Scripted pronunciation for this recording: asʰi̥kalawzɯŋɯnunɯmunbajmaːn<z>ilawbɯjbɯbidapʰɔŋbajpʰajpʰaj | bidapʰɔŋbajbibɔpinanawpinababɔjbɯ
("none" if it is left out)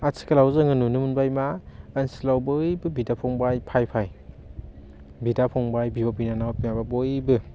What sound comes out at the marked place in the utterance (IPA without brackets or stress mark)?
s